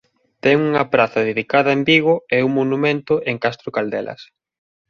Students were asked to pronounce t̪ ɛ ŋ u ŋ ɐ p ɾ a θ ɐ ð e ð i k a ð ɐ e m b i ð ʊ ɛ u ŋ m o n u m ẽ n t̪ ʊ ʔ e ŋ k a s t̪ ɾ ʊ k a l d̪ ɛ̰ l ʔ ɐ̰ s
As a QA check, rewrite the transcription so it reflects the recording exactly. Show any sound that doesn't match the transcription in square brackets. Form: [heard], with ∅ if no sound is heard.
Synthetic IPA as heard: t̪ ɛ ŋ u ŋ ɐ p ɾ a θ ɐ ð e ð i k a ð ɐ e m b i [ɣ] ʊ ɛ u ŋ m o n u m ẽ n t̪ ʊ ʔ e ŋ k a s t̪ ɾ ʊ k a l d̪ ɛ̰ l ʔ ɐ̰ s